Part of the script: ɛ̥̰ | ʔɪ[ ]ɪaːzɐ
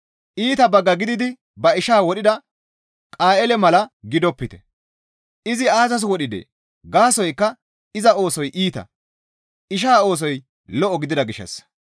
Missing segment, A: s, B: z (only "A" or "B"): B